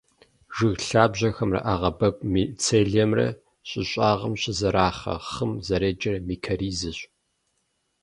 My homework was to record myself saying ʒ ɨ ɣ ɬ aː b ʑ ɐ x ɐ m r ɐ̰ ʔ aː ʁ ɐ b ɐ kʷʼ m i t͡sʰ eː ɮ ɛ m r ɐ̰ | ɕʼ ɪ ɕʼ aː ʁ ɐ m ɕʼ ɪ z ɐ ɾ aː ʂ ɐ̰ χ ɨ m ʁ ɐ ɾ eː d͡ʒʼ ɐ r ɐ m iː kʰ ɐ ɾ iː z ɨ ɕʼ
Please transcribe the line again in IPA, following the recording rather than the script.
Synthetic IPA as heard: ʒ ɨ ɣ ɬ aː b ʑ ɐ x ɐ m r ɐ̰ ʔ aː ʁ ɐ b ɐ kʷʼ m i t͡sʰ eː ɮ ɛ m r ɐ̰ | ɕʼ ɪ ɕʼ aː ʁ ɐ m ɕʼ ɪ z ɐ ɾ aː χ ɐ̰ χ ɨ m z ɐ ɾ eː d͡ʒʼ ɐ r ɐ m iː kʰ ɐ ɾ iː z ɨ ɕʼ